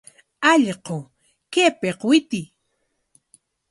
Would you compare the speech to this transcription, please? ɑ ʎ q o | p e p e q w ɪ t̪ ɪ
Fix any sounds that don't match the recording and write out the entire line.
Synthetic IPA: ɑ ʎ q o | k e p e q w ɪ t̪ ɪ

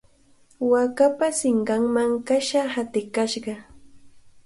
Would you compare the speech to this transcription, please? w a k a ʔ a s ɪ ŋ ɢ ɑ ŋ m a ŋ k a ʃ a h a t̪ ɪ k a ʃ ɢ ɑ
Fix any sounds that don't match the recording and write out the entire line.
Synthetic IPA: w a k a p a s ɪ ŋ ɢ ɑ ŋ m a ŋ k a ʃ a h a t̪ ɪ k a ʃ ɢ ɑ

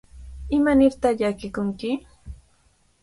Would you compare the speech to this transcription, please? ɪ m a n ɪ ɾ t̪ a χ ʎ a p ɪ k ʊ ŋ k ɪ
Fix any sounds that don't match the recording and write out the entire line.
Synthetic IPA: ɪ m a n ɪ ɾ t̪ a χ ʎ a k ɪ k ʊ ŋ k ɪ

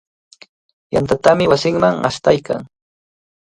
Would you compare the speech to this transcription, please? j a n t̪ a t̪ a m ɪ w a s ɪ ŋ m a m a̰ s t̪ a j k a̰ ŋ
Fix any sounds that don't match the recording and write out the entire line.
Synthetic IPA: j a n t̪ a t̪ a m ɪ w a s ɪ ŋ m a ŋ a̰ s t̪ a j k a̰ ŋ

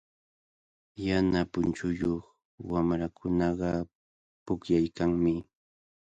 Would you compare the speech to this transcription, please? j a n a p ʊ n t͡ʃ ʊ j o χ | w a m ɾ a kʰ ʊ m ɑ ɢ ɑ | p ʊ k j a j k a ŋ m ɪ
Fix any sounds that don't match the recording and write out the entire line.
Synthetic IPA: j a n a p ʊ n t͡ʃ ʊ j o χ | w a m ɾ a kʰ ʊ n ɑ ɢ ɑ | p ʊ k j a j k a ŋ m ɪ

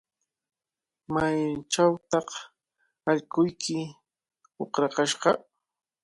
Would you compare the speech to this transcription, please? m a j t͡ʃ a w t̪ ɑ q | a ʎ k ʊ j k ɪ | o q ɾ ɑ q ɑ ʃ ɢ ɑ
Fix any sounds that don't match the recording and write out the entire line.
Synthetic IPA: m a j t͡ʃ a w t̪ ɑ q | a ʎ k ʊ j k ɪ | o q ɾ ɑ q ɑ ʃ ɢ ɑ

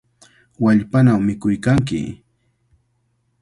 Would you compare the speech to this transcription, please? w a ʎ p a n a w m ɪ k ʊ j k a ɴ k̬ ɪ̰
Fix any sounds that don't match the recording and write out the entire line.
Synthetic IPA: w a ʎ p a n a w m ɪ k ʊ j k a ŋ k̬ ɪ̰

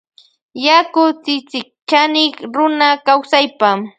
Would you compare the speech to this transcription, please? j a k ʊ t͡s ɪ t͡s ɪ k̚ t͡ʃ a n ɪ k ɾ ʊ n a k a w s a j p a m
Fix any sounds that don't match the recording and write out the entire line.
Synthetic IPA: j a k ʊ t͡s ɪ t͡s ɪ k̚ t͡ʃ a n ɪ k ɾ ʊ n a k a w s a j p a m

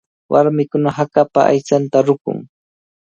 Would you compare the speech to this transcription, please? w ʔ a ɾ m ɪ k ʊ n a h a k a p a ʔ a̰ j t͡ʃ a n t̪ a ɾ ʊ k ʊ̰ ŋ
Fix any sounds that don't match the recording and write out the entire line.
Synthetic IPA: w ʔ a ɾ m ɪ k ʊ n a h a k a p a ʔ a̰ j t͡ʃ a n t̪ a ɾ ʊ k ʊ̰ ŋ

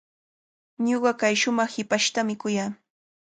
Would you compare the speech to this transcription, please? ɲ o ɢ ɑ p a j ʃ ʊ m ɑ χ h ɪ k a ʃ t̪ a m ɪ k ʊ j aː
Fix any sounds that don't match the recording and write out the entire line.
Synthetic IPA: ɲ o ɢ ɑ k a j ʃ ʊ m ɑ χ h ɪ p a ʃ t̪ a m ɪ k ʊ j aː

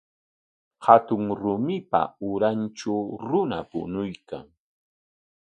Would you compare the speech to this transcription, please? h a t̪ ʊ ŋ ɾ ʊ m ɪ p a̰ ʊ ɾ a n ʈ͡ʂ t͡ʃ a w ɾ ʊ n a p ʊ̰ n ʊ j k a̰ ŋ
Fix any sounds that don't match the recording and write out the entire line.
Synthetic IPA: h a t̪ ʊ ŋ ɾ ʊ m ɪ p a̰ ʊ ɾ a n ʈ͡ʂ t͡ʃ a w ɾ ʊ n a p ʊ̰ n ʊ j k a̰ ŋ

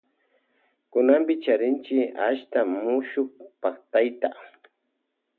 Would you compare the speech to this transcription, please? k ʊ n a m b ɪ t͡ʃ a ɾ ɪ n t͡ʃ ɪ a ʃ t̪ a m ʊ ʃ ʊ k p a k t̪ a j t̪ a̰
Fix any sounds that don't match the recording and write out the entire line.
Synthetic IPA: k ʊ n a m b ɪ t͡ʃ a ɾ ɪ n t͡ʃ ɪ a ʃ t̪ a m ʊ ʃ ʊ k p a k t̪ a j t̪ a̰

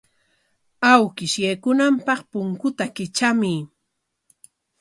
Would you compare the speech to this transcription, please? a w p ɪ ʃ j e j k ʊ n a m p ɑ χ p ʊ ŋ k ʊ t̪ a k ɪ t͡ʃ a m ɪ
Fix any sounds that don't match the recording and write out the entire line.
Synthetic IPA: a w k ɪ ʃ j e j k ʊ n a m p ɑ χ p ʊ ŋ k ʊ t̪ a k ɪ t͡ʃ a m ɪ

